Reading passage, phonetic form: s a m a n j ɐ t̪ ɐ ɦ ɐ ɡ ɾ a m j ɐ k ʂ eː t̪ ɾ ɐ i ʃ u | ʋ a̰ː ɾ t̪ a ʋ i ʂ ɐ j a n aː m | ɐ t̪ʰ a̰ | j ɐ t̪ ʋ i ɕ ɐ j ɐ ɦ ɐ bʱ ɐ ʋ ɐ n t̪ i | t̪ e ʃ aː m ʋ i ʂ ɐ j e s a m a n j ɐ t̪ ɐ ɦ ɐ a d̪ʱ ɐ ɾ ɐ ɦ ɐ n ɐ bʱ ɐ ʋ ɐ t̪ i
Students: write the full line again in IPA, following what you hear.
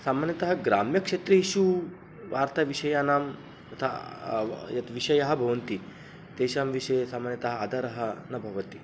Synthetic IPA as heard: s a m a n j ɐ t̪ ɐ ɦ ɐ ɡ ɾ a m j ɐ k ʂ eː t̪ ɾ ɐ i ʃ u | ʋ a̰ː ɾ t̪ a ʋ i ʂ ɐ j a n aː m | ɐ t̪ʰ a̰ | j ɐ t̪ ʋ i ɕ ɐ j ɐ ɦ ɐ bʱ ɐ ʋ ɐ n t̪ i | t̪ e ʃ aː m ʋ i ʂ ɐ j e s a m a n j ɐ t̪ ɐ ɦ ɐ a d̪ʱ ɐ ɾ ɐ ɦ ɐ n ɐ bʱ ɐ ʋ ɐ t̪ i